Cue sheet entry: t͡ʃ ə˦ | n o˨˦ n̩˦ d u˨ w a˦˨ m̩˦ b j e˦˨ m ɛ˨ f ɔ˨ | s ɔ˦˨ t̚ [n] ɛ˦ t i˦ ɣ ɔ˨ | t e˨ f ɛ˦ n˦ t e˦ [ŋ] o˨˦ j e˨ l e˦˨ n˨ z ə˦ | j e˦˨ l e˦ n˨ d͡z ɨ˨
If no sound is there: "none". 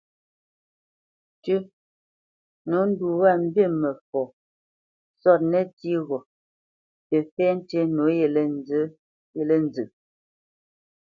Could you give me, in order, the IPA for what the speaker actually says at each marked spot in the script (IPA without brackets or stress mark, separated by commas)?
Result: n, n